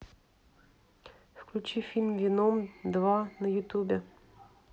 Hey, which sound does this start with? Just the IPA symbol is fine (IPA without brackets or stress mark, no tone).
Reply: f